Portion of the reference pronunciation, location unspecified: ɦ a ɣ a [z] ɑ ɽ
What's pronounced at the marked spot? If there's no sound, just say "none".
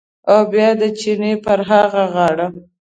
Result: ɣ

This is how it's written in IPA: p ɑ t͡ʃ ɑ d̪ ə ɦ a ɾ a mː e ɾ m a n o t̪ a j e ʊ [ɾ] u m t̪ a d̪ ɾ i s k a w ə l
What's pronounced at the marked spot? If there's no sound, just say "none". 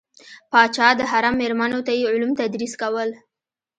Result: l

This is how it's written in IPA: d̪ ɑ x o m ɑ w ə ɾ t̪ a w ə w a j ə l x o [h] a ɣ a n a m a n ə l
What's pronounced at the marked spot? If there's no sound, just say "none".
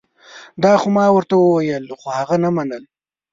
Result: h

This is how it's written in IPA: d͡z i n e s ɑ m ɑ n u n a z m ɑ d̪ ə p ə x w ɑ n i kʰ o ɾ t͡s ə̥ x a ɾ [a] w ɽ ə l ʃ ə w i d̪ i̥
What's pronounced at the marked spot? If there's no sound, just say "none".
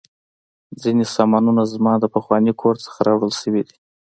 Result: ɑ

